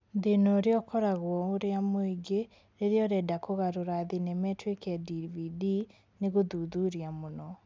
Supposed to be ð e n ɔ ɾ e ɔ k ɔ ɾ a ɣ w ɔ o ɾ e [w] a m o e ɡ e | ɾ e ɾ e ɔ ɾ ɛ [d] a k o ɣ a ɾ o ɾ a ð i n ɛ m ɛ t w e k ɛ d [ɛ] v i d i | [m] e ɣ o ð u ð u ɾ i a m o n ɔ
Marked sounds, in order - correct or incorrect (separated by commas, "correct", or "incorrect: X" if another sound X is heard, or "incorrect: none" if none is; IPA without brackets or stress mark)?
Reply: incorrect: none, correct, incorrect: i, incorrect: n